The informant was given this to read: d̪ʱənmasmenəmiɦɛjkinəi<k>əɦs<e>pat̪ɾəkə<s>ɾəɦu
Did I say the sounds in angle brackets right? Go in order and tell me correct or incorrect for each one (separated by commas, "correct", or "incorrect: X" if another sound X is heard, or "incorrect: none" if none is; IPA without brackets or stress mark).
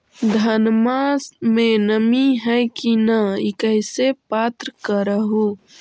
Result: correct, correct, incorrect: none